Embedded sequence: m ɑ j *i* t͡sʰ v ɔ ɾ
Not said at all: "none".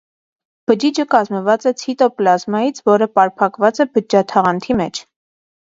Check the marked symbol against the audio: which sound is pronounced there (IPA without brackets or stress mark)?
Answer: i